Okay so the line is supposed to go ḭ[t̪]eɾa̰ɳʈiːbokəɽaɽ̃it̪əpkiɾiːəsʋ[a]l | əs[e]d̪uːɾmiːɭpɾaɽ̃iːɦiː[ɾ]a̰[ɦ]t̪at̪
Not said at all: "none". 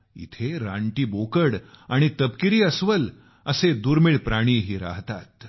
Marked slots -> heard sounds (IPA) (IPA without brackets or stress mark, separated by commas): t̪ʰ, ə, e, ɾ, ɦ